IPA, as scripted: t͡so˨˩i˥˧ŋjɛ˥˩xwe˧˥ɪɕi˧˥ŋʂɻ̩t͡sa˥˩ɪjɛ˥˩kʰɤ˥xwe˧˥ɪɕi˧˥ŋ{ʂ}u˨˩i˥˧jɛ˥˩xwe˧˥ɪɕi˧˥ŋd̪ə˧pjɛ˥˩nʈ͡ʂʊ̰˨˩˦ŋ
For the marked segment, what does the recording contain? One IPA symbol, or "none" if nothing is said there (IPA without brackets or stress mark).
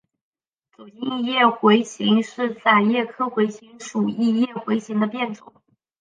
ʂ